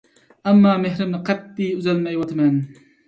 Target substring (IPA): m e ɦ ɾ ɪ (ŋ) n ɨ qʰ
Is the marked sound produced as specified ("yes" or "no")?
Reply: no